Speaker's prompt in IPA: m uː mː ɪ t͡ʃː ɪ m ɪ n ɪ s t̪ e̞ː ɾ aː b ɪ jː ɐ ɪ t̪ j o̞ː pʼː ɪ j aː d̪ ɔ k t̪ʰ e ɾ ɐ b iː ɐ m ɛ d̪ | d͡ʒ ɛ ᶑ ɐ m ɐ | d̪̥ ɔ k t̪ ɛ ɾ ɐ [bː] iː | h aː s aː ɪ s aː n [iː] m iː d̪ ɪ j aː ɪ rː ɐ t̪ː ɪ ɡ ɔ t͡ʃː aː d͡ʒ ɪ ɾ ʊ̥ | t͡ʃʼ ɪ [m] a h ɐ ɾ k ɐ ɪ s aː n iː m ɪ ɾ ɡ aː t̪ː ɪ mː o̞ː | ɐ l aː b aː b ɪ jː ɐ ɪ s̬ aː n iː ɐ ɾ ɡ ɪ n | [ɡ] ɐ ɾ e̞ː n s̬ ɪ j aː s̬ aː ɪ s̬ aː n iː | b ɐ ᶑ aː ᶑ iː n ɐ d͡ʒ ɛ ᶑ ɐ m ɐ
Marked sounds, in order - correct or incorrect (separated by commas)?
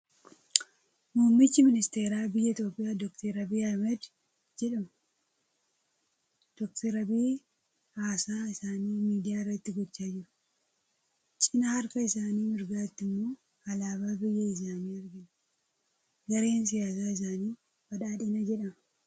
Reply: incorrect, correct, incorrect, correct